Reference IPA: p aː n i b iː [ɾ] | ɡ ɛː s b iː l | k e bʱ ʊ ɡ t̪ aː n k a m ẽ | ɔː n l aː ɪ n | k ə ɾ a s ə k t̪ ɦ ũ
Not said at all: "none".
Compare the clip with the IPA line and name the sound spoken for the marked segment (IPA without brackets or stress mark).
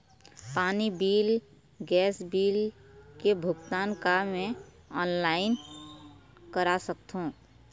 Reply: l